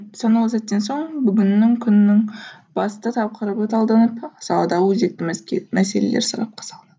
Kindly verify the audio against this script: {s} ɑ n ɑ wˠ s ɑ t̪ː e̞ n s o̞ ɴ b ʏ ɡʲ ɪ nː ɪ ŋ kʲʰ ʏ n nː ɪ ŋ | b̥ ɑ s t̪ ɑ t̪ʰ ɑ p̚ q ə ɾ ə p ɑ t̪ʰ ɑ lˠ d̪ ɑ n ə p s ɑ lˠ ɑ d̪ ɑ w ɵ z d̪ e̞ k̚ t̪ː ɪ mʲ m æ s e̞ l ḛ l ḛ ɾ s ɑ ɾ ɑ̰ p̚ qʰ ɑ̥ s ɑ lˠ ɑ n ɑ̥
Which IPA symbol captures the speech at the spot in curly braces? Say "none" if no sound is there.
s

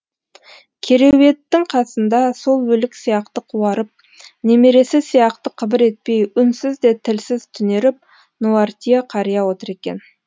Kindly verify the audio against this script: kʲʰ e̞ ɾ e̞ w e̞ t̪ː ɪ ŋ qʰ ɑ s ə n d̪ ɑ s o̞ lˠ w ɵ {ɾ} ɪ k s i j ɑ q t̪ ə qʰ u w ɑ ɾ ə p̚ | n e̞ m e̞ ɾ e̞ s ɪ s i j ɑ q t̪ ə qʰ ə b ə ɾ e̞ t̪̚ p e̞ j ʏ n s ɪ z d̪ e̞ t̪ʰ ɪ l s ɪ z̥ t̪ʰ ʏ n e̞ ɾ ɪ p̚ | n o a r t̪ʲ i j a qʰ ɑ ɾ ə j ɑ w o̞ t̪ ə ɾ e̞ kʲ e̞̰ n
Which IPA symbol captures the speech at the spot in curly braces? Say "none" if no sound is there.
l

